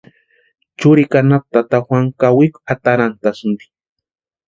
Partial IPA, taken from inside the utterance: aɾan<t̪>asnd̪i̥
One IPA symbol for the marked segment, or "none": t̪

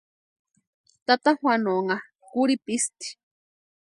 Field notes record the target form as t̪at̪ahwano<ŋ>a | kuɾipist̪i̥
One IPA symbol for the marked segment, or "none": ŋ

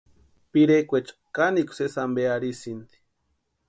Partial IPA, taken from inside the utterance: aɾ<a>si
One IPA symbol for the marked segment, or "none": i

